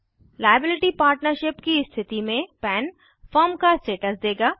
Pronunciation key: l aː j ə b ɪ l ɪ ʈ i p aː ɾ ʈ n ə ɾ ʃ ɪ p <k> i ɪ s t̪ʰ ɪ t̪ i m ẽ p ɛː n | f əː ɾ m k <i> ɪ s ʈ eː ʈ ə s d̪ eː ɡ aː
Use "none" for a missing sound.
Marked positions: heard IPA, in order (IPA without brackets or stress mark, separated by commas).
k, a